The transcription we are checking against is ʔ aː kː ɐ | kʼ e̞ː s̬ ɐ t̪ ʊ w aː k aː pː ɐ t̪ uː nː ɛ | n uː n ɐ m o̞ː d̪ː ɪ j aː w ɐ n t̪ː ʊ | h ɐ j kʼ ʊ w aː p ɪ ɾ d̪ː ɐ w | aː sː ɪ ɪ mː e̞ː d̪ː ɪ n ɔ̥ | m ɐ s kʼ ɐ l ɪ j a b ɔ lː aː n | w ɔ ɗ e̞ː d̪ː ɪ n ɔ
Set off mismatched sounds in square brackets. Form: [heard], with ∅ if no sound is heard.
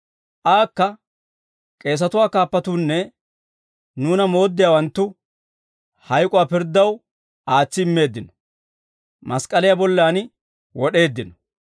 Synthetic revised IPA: ʔ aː kː ɐ | kʼ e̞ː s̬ ɐ t̪ ʊ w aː k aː pː ɐ t̪ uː nː ɛ | n uː n ɐ m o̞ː d̪ː ɪ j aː w ɐ n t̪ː ʊ | h ɐ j kʼ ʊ w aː p ɪ ɾ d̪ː ɐ w | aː [t͡sː] ɪ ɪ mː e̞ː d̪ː ɪ n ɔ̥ | m ɐ s kʼ ɐ l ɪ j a b ɔ lː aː n | w ɔ ɗ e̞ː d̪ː ɪ n ɔ